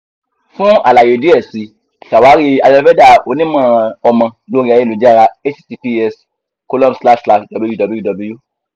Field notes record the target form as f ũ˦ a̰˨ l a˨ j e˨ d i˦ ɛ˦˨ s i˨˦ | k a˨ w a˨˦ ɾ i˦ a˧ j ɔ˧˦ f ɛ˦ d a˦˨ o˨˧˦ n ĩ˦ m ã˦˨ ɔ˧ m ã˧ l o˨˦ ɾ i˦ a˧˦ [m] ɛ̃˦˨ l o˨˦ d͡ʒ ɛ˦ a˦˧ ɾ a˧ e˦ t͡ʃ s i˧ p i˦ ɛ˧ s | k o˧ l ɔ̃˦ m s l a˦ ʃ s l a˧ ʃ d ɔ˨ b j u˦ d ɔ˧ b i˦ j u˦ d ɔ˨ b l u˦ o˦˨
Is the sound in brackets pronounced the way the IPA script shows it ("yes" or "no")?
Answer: no